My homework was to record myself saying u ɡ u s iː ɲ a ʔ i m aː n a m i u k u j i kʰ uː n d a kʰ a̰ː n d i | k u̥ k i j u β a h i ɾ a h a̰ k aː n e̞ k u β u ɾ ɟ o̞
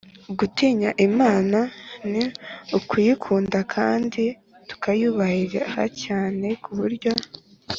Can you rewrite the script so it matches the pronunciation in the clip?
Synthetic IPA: u ɡ u t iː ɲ a ʔ i m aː n a n i u k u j i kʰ uː n d a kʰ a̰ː n d i | t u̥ k a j u β a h i ɾ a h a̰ c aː n e̞ k u β u ɾ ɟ o̞